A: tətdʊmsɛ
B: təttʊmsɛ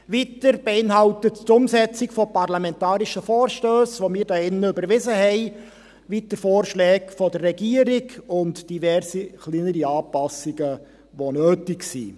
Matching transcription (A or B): B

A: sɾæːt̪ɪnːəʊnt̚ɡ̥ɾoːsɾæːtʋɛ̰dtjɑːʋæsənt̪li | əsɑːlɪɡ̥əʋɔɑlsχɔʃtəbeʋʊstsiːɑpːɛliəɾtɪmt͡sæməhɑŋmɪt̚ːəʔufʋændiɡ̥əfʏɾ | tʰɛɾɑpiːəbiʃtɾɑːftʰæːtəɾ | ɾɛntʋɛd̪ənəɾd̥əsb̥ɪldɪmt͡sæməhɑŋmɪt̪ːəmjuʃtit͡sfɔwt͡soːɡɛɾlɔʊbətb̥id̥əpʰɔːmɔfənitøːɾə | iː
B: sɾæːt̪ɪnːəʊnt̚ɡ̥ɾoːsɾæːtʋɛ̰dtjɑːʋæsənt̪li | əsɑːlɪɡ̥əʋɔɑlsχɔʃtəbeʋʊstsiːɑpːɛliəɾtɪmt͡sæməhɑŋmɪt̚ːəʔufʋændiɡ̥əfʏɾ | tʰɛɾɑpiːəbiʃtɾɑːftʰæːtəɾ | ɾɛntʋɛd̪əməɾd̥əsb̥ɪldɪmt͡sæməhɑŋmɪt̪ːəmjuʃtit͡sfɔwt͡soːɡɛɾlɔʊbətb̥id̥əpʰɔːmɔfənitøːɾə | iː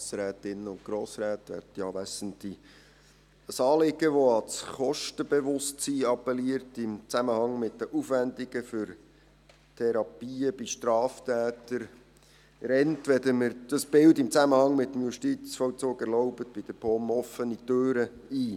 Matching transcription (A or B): B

